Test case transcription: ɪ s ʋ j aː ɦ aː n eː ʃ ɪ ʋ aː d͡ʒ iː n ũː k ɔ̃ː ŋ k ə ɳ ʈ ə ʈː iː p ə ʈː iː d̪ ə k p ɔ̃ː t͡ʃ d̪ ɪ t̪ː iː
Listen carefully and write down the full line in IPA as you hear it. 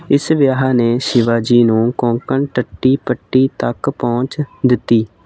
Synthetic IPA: ɪ s ʋ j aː ɦ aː n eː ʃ ɪ ʋ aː d͡ʒ iː n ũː k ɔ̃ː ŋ k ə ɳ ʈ ə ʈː iː p ə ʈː iː t̪ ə k p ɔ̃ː t͡ʃ d̪ ɪ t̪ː iː